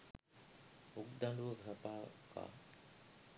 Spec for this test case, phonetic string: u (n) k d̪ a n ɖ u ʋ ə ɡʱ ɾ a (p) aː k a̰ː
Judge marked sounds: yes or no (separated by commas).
no, yes